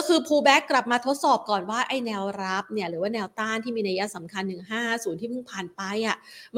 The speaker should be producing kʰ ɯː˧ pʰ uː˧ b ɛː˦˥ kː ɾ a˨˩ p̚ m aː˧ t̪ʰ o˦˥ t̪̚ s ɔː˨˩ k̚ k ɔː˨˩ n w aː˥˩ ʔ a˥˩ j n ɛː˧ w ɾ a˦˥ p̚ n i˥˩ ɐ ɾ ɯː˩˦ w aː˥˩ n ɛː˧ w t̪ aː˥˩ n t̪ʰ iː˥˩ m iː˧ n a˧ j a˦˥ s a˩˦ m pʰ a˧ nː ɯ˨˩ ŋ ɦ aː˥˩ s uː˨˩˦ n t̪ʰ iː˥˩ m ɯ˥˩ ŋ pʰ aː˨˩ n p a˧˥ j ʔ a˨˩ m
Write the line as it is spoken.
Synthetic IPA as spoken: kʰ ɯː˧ pʰ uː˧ b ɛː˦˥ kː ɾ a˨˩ p̚ m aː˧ t̪ʰ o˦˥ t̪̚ s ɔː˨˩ p̚ k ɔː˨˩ n w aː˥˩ ʔ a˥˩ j n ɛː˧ w ɾ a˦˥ p̚ n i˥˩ ɐ ɾ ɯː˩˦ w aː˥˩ n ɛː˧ w t̪ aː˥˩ n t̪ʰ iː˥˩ m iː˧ n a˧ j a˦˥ s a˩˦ m kʰ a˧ nː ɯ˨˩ ŋ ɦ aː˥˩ s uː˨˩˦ n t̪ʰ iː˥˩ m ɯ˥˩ ŋ pʰ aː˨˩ n p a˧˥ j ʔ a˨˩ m